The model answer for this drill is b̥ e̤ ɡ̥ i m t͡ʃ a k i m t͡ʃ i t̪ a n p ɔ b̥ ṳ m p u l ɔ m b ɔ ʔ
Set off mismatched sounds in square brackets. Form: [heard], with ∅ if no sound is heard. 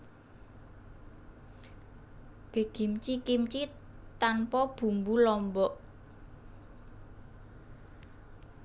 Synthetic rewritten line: b̥ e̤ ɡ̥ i m t͡ʃ [i] k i m t͡ʃ i t̪ a n p ɔ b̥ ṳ m [b] u l ɔ m b ɔ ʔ